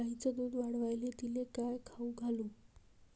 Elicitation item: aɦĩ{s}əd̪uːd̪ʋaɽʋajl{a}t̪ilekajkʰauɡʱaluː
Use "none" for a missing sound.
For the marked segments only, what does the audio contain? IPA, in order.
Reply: t͡s, e

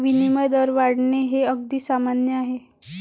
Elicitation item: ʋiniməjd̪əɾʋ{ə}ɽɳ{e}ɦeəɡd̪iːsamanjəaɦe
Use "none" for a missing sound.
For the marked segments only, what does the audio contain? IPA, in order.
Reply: a, e

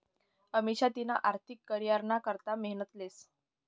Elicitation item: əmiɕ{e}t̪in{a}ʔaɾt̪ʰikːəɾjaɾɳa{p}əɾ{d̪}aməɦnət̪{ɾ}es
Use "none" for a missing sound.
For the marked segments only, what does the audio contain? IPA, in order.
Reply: a, a, k, t̪, l

